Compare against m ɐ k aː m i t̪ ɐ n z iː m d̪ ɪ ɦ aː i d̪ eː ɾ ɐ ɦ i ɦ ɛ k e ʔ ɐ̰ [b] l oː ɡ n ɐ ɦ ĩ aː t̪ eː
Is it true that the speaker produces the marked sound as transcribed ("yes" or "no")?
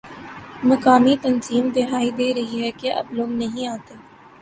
yes